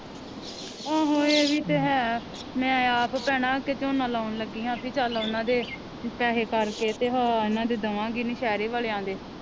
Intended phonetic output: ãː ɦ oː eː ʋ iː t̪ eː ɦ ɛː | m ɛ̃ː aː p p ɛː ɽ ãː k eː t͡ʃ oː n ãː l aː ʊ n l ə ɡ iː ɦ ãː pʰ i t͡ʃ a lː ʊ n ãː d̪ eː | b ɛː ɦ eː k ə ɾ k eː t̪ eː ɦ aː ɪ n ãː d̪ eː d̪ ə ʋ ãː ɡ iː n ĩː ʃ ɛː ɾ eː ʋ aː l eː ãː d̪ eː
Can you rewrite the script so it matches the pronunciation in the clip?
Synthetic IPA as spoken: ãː ɦ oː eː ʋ iː t̪ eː ɦ ɛː | m ɛ̃ː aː p p ɛː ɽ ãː k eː t͡ʃ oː n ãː l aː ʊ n l ə ɡ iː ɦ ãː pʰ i t͡ʃ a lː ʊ n ãː d̪ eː | p ɛː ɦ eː k ə ɾ k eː t̪ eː ɦ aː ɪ n ãː d̪ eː d̪ ə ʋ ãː ɡ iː n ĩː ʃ ɛː ɾ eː ʋ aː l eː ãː d̪ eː